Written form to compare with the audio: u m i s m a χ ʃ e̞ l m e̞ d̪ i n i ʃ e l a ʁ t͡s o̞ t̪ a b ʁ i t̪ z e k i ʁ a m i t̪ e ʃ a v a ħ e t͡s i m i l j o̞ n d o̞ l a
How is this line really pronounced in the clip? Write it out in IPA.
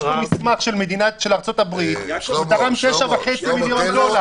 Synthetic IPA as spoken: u m i s m a χ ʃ e̞ l m e̞ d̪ i n a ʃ e l a ʁ t͡s o̞ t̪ a b ʁ i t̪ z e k a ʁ a m i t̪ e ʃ a v a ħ e t͡s i m i l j o̞ n d o̞ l a